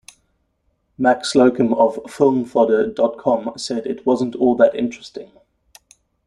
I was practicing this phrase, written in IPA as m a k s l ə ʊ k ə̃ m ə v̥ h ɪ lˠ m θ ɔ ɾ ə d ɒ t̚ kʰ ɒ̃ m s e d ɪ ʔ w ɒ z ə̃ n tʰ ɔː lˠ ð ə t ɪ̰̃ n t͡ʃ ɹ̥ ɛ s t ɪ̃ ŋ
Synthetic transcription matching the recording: m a k s l ə ʊ k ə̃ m ə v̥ f ɪ lˠ m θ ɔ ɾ ə d ɒ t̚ kʰ ɒ̃ m s ɛ d ɪ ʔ w ɒ z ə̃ n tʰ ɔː lˠ ð ə t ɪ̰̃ n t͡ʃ ɹ̥ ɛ s t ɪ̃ ŋ